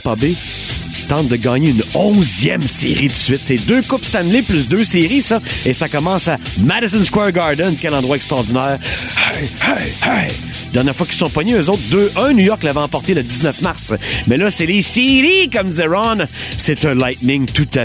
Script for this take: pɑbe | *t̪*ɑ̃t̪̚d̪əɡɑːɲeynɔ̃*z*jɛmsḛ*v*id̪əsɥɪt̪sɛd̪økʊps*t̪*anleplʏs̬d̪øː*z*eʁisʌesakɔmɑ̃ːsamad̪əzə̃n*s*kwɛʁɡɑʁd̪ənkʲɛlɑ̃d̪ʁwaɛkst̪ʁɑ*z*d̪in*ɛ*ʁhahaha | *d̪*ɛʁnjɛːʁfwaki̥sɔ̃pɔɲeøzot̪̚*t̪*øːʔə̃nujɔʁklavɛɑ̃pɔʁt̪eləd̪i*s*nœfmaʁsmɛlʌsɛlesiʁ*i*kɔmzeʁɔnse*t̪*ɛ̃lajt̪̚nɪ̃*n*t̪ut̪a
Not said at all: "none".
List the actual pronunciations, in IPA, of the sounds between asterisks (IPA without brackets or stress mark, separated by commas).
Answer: t̪, z, ʁ, t̪, s, s, ʁ, ɛː, d̪, d̪, z, i, t̪, ŋ